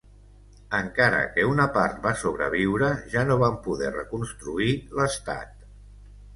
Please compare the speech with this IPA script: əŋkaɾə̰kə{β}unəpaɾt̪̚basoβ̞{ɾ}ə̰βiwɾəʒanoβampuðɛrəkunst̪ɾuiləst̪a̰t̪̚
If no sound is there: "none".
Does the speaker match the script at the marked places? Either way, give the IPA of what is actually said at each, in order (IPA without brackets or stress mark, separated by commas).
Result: none, ɾ